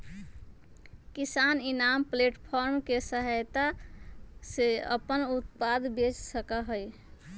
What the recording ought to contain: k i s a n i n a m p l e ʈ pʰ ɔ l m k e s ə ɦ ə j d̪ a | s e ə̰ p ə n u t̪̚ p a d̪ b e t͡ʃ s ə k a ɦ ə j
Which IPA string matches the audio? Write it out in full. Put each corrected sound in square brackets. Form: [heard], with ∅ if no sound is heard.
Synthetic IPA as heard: k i s a n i n a m p l e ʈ pʰ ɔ [ɾ] m k e s ə ɦ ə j [t̪] a | s e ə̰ p ə n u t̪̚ p a d̪ b e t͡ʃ s ə k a ɦ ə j